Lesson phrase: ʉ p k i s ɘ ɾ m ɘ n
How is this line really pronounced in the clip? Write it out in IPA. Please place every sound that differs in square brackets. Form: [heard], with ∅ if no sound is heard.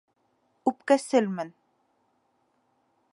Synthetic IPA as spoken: ʉ p k [æ] s ɘ [l] m ɘ n